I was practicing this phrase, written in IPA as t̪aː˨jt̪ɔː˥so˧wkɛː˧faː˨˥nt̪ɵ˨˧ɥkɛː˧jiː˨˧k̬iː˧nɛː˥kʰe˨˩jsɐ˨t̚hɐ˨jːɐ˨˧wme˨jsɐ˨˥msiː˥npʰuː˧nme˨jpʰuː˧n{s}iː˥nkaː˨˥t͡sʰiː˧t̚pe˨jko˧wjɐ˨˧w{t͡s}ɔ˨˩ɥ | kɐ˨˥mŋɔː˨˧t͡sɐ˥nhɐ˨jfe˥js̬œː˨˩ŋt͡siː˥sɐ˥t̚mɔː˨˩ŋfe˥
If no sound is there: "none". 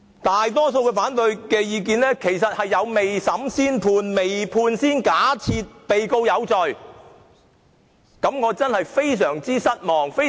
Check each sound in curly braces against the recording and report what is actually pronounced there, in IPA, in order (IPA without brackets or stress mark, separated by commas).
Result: s, t͡s